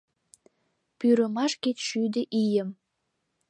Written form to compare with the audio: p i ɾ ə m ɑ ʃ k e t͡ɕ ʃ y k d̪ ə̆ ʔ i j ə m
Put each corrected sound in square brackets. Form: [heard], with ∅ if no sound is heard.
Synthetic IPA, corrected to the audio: p [y] ɾ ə m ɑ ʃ k e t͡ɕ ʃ y [∅] d̪ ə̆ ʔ i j ə m